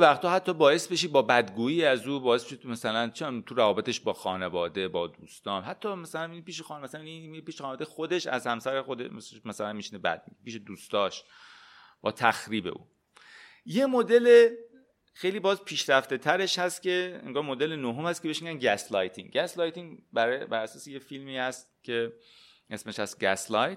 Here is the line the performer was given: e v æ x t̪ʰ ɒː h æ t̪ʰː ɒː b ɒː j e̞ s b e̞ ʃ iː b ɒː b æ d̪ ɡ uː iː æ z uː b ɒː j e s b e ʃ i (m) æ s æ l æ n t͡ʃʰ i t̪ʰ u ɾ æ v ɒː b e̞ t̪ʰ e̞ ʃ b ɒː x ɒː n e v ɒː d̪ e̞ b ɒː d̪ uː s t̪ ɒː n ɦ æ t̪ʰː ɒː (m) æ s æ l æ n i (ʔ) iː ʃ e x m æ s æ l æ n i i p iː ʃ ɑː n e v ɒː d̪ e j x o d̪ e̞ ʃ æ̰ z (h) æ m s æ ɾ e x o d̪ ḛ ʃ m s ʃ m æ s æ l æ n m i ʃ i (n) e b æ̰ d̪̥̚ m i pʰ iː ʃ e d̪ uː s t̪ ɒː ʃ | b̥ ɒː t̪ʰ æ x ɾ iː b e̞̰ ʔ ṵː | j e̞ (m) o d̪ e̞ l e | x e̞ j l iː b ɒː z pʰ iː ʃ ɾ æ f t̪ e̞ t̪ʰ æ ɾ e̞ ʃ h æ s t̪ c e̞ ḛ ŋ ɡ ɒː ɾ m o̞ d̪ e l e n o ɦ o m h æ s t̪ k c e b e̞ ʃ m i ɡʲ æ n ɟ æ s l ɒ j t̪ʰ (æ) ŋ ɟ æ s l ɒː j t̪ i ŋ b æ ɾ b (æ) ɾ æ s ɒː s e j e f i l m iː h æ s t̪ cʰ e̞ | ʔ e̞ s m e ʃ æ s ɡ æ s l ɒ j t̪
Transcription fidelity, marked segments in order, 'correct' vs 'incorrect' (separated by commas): correct, correct, incorrect, correct, correct, correct, incorrect, correct